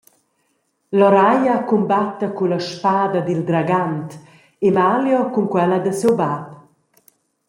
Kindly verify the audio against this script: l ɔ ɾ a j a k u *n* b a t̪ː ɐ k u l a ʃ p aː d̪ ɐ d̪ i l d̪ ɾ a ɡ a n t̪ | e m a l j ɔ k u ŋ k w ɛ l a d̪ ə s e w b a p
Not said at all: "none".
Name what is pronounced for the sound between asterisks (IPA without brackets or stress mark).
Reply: m